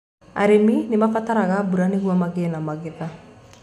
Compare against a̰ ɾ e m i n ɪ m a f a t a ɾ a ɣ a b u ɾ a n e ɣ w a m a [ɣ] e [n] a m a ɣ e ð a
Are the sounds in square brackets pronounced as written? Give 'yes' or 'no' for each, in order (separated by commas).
yes, yes